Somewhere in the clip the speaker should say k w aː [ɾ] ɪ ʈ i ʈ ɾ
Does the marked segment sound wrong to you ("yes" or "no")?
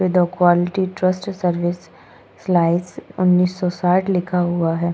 yes